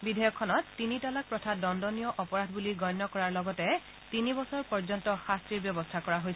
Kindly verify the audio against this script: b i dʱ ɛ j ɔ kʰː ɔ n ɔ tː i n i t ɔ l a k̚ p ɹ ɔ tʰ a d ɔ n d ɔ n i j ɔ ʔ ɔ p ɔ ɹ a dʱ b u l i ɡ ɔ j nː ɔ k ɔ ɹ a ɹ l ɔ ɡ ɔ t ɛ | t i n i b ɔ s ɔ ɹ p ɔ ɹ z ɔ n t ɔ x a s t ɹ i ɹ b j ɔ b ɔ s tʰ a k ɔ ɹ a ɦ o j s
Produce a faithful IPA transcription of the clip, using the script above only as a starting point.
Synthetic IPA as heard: b i dʱ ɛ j ɔ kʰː ɔ n ɔ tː i n i t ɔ l a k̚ p ɹ ɔ tʰ a d ɔ n d ɔ n i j ɔ ʔ ɔ p ɔ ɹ a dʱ b u l i ɡ ɔ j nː ɔ k ɔ ɹ a ɹ l ɔ ɡ ɔ t ɛ | t i n i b ɔ s ɔ ɹ p ɔ ɹ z ɔ n t ɔ x a s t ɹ i ɹ b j ɔ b ɔ s tʰ a k ɔ ɹ a ɦ o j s

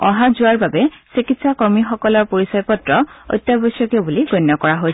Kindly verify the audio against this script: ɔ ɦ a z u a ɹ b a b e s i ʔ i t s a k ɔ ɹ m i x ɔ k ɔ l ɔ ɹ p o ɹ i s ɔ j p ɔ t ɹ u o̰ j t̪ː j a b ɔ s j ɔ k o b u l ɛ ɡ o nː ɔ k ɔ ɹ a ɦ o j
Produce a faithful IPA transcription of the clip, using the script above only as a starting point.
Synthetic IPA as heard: ɔ ɦ a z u a ɹ b a b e s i k i t s a k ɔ ɹ m i x ɔ k ɔ l ɔ ɹ p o ɹ i s ɔ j p ɔ t ɹ ɔ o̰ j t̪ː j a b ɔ s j ɔ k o b u l i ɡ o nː ɔ k ɔ ɹ a ɦ o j

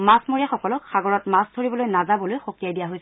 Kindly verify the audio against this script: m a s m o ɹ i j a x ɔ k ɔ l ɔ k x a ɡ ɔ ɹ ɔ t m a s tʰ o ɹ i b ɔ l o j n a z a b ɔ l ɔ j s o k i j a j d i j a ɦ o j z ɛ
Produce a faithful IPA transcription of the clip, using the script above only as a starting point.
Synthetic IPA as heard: m a s m o ɹ i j a x ɔ k ɔ l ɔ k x a ɡ ɔ ɹ ɔ t m a s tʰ o ɹ i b ɔ l o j n a z a b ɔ l o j x o k i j a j d i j a ɦ o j s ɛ

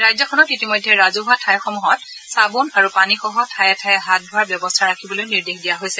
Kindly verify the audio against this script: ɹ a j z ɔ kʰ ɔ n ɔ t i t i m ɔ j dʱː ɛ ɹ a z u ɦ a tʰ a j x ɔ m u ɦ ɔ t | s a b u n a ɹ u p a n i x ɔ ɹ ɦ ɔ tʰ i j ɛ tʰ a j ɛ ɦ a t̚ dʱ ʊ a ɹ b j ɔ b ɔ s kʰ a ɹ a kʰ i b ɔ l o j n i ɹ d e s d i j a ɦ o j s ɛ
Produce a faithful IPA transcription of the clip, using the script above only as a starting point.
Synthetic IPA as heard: ɹ a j z ɔ kʰ ɔ n ɔ t i t i m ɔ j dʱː ɛ ɹ a z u ɦ a tʰ a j x ɔ m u ɦ ɔ t | s a b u n a ɹ u p a n i x ɔ ɦ ɔ tʰ a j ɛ tʰ a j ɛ ɦ a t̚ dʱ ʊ a ɹ b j ɔ b ɔ s tʰ a ɹ a kʰ i b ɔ l o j n i ɹ d e x d i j a ɦ o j s ɛ

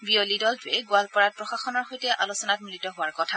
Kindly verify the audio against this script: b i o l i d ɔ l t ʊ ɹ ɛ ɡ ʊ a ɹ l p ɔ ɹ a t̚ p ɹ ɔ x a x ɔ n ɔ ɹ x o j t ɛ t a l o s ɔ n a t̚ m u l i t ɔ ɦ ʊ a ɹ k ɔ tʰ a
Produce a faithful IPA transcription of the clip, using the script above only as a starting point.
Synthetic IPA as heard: b i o l i d ɔ l t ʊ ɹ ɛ ɡ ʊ a l p ɔ ɹ a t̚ p ɹ ɔ x a x ɔ n ɔ ɹ x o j t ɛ ʔ a l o s ɔ n a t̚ m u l i t ɔ ɦ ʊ a ɹ k ɔ tʰ a

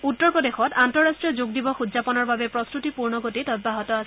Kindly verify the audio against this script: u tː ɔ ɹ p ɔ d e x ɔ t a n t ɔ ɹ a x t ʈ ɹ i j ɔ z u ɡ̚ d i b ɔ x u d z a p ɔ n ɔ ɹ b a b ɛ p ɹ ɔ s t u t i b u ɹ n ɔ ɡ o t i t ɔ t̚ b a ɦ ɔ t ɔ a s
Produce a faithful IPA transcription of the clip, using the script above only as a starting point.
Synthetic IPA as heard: u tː ɔ ɹ p ɔ d e x ɔ t a n t ɔ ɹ a s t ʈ ɹ i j ɔ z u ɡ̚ d i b ɔ x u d z a p ɔ n ɔ ɹ b a b ɛ p ɹ ɔ s t u t i p u ɹ n ɔ ɡ o t i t ɔ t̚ b a ɦ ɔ t ɔ a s

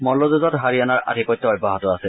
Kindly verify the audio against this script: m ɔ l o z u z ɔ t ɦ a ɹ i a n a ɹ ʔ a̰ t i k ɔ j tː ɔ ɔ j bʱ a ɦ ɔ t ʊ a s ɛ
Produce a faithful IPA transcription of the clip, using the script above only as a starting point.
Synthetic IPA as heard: m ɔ l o z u z ɔ t ɦ a ɹ i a n a ɹ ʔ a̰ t i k ɔ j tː ɔ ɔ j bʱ a ɦ ɔ t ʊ a s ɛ

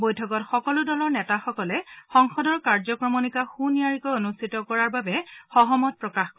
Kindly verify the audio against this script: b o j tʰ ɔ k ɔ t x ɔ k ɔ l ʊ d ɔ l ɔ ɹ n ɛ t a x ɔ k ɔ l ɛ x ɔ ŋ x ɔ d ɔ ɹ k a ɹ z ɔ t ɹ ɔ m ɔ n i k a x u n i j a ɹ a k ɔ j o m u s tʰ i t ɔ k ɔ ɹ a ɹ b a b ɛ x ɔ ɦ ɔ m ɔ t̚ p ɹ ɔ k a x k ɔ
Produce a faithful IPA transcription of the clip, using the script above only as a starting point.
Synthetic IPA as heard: b o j tʰ ɔ k ɔ t x ɔ k ɔ l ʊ d ɔ l ɔ ɹ n ɛ t a x ɔ k ɔ l ɛ x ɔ ŋ x ɔ d ɔ ɹ k a ɹ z ɔ k ɹ ɔ m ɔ n i k a x u n i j a ɹ i k ɔ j o n u s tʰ i t ɔ k ɔ ɹ a ɹ b a b ɛ x ɔ ɦ ɔ m ɔ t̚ p ɹ ɔ k a x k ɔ

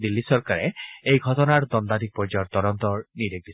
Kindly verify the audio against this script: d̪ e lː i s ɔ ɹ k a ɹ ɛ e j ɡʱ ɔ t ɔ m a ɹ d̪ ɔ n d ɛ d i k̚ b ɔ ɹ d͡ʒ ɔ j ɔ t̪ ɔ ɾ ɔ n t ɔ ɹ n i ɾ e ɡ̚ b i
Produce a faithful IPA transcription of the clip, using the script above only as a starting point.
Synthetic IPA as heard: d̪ i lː i s ɔ ɹ k a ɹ ɛ e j ɡʱ ɔ t ɔ n a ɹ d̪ ɔ n d a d i k̚ p ɔ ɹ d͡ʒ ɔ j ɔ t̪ ɔ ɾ ɔ n t ɔ ɹ n i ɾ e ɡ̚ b i

